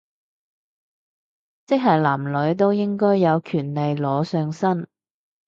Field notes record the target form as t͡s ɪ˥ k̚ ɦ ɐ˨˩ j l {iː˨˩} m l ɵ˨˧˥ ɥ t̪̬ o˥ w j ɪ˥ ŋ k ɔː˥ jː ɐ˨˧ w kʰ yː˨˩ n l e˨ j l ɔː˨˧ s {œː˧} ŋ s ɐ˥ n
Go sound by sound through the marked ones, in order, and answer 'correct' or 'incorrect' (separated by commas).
incorrect, correct